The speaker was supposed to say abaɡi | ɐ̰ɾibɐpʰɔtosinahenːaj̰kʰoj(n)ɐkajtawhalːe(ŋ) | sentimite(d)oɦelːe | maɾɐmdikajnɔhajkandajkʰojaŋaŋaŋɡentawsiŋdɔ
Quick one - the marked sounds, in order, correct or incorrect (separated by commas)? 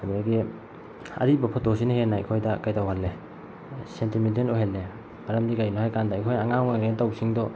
incorrect, incorrect, incorrect